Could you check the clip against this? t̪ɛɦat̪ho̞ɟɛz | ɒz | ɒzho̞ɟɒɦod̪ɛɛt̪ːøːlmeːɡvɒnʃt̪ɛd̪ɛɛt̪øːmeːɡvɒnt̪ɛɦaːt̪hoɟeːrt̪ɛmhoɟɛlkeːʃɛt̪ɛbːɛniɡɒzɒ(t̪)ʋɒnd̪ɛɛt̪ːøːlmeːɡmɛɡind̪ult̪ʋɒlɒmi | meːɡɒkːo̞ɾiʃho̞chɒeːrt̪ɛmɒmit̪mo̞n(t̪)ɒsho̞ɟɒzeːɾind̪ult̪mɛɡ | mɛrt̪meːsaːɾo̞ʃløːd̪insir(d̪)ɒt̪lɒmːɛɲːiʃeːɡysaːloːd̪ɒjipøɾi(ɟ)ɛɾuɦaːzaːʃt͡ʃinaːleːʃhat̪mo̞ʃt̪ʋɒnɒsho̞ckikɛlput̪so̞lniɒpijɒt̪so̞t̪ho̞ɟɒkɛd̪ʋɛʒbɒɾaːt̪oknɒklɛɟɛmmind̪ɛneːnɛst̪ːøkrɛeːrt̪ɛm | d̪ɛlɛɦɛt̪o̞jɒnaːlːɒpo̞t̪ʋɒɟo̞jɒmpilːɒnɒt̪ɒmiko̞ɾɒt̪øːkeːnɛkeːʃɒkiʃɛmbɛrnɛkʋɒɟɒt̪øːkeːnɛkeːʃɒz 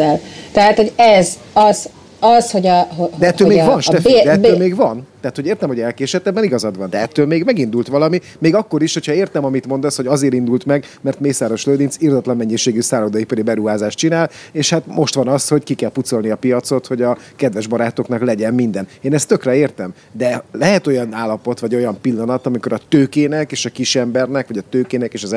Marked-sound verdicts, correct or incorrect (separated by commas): incorrect, incorrect, correct, incorrect